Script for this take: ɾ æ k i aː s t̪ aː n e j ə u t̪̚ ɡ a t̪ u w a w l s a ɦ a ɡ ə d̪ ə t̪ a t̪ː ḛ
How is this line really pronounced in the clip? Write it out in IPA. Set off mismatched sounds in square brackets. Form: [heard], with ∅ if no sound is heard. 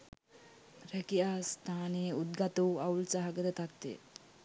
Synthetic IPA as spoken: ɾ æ k i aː s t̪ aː n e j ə u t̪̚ ɡ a t̪ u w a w l s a ɦ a ɡ ə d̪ ə t̪ a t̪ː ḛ